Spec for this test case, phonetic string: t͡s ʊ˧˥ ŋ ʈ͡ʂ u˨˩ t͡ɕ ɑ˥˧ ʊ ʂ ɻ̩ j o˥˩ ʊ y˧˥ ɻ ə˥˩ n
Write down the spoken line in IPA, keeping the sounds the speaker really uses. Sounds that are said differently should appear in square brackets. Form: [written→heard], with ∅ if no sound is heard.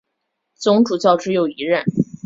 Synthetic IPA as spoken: t͡s ʊ˧˥ ŋ ʈ͡ʂ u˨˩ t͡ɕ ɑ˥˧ ʊ [ʂ→ʈ͡ʂ] ɻ̩ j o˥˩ ʊ [y˧˥→i˧˥] ɻ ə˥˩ n